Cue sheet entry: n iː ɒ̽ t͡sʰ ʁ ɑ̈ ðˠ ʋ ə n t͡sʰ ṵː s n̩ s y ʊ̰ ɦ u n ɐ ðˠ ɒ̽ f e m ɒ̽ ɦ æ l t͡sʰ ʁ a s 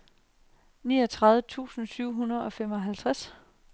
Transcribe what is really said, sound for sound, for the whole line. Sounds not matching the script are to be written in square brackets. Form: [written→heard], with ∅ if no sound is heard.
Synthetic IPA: n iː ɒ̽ t͡sʰ ʁ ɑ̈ ðˠ ʋ ə [n→∅] t͡sʰ ṵː s n̩ s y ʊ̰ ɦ u n ɐ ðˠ ɒ̽ f e m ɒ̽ ɦ æ l t͡sʰ ʁ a s